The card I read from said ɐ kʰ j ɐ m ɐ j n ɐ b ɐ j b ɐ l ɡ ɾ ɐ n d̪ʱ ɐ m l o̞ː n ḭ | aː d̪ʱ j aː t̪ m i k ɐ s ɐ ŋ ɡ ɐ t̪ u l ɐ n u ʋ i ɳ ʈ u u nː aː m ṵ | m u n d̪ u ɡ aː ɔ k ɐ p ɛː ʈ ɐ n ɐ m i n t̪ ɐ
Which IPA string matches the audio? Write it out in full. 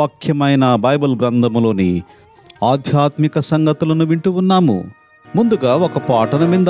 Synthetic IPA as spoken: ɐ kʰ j ɐ m ɐ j n ɐ b ɐ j b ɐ l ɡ ɾ ɐ n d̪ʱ ɐ m l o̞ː n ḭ | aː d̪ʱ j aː t̪ m i k ɐ s ɐ ŋ ɡ ɐ t̪ u l ɐ n u ʋ i ɳ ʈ u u nː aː m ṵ | m u n d̪ u ɡ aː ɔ k ɐ p aː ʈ ɐ n ɐ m i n d̪ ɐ